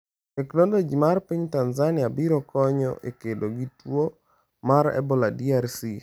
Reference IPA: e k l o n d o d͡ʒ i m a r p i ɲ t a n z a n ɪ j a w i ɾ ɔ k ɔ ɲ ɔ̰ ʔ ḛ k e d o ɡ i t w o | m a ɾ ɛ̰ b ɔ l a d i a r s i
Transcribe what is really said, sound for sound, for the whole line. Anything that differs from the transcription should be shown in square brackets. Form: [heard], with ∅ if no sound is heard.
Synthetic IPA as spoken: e k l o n d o d͡ʒ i m a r p i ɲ t a n z a n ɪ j a [b] i ɾ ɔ k ɔ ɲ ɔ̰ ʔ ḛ k e d o ɡ i t w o | m a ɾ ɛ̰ b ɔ l a d i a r s i

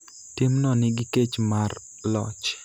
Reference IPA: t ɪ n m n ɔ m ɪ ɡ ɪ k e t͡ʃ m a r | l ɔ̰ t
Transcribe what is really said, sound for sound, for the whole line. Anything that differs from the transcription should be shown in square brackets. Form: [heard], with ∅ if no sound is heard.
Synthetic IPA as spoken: t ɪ [∅] m n ɔ [n] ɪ ɡ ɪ k e t͡ʃ m a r | l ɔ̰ [t͡ʃ]

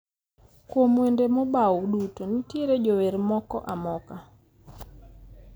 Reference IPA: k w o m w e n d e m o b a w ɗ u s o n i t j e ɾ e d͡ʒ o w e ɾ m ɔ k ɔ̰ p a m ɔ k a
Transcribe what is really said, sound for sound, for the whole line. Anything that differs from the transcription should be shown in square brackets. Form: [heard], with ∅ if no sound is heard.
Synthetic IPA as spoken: k w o m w e n d e m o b a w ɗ u [t] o n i t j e ɾ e d͡ʒ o w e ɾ m ɔ k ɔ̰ [ʔ] a m ɔ k a

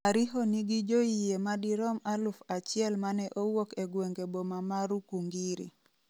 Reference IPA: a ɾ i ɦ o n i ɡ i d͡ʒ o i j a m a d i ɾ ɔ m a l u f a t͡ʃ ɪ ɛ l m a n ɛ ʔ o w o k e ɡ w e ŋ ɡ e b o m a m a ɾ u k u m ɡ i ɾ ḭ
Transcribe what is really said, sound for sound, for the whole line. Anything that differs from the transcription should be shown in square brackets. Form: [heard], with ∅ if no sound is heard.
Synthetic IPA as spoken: a ɾ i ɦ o n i ɡ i d͡ʒ o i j [e] m a d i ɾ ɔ m a l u f a t͡ʃ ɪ ɛ l m a n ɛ ʔ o w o k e ɡ w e ŋ ɡ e b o m a m a ɾ u k u [ŋ] ɡ i ɾ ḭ

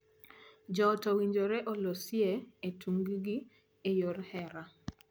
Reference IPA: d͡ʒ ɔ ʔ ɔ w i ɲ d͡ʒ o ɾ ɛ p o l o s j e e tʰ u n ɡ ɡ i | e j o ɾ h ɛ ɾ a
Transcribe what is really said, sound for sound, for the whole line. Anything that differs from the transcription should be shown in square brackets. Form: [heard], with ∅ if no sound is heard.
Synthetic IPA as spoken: d͡ʒ ɔ [t] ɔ w i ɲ d͡ʒ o ɾ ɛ [ʔ] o l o s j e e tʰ u [ŋ] ɡ ɡ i | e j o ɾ h ɛ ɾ a

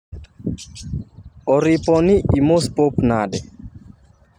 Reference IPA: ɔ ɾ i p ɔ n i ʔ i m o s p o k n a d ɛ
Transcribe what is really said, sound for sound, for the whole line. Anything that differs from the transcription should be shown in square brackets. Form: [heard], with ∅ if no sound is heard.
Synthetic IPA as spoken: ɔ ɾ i p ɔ n i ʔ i m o s p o [p] n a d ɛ

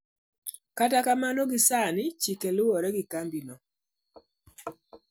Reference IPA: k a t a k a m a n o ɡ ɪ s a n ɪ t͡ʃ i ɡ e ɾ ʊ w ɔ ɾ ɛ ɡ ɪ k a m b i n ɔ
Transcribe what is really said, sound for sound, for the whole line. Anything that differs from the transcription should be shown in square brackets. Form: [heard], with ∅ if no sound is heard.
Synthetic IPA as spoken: k a t a k a m a n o ɡ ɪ s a n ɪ t͡ʃ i [k] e [l] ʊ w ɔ ɾ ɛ ɡ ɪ k a m b i n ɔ

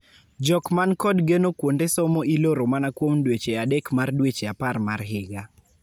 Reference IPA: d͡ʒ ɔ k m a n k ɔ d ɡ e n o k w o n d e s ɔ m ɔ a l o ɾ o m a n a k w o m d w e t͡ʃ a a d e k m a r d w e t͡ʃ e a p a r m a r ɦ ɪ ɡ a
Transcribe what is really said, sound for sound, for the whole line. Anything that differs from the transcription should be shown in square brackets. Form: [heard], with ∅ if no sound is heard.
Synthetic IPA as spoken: d͡ʒ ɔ k m a n k ɔ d ɡ e n o k w o n d e s ɔ m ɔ [i] l o ɾ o m a n a k w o m d w e t͡ʃ [e] a d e k m a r d w e t͡ʃ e a p a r m a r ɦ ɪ ɡ a

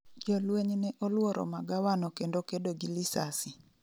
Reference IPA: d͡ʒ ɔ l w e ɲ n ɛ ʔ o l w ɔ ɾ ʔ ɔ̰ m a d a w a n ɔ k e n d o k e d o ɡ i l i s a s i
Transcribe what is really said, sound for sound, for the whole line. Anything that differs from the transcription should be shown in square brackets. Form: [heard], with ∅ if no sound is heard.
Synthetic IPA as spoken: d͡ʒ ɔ l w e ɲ n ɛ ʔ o l w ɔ ɾ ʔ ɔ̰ m a [ɡ] a w a n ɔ k e n d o k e d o ɡ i l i s a s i

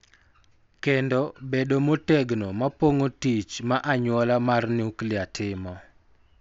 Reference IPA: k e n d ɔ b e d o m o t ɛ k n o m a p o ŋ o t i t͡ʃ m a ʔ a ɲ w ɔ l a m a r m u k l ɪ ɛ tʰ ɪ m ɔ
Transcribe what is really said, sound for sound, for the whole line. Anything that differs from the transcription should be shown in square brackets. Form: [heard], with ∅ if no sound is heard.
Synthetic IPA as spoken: k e n d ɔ b e d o m o t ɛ [ɡ] n o m a p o ŋ o t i t͡ʃ m a ʔ a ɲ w ɔ l a m a r [n] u k l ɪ [a] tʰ ɪ m ɔ

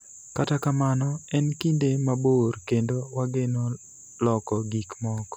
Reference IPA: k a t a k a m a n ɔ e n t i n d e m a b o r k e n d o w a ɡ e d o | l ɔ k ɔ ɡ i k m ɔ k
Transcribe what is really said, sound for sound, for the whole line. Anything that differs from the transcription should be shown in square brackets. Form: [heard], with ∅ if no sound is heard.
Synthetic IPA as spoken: k a t a k a m a n ɔ [ɛ] n [k] i n d e m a b o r k e n d o w a ɡ e [n] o | l ɔ k ɔ ɡ i k m ɔ k

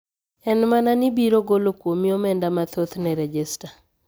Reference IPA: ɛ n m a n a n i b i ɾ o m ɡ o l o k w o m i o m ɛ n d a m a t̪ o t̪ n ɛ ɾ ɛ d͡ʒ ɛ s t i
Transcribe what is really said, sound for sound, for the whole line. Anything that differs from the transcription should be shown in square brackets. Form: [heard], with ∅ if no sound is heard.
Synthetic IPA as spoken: ɛ n m a n a n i b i ɾ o [∅] ɡ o l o k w o m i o m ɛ n d a m a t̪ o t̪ n ɛ ɾ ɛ d͡ʒ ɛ s t [a]

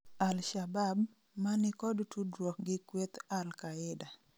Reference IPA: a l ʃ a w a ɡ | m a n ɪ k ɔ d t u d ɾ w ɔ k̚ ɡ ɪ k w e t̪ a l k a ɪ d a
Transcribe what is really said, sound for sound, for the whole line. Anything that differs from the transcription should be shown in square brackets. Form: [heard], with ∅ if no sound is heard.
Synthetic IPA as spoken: a l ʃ a [b] a [b] | m a n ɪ k ɔ d t u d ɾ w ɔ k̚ ɡ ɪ k w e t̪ a l k a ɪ d a

